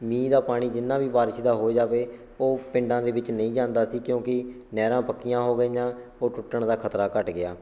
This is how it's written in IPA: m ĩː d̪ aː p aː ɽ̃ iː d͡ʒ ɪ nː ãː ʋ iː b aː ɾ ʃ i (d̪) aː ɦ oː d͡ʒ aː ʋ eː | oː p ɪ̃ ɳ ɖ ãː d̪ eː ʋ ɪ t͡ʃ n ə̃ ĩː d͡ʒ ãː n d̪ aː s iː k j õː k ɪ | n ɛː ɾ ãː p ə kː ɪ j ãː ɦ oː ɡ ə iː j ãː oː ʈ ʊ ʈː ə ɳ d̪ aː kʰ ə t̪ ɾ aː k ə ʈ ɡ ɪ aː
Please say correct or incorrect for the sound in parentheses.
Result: correct